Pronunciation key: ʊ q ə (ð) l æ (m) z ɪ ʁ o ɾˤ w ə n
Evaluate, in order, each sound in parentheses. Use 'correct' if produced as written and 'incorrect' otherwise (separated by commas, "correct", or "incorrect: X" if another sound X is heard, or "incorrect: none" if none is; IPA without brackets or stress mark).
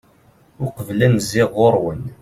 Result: incorrect: v, incorrect: n